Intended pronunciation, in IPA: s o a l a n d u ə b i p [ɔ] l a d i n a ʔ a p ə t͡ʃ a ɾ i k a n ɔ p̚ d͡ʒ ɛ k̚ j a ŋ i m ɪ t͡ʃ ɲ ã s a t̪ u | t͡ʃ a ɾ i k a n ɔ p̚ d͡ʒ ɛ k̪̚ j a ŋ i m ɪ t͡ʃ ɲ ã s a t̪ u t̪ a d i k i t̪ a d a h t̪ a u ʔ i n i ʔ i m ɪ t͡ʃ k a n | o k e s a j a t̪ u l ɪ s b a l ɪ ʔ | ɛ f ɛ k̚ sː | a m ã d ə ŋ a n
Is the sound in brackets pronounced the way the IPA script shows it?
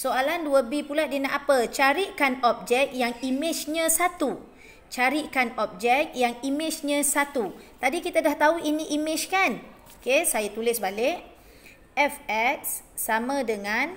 no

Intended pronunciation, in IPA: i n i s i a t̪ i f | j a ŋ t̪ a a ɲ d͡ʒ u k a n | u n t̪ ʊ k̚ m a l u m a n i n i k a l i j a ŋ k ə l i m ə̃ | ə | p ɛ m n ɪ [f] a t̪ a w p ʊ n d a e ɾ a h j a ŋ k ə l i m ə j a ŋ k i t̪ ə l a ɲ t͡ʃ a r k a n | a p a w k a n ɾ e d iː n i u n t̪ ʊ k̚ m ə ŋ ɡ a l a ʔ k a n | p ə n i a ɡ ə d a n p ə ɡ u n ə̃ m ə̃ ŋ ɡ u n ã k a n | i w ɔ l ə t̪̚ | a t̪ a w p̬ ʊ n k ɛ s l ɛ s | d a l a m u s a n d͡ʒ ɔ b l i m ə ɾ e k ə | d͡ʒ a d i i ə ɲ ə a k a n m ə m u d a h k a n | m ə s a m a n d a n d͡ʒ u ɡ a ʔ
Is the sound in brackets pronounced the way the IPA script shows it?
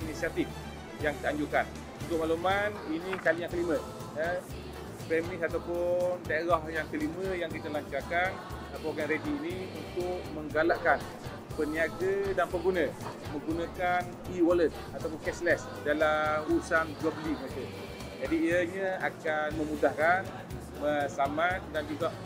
no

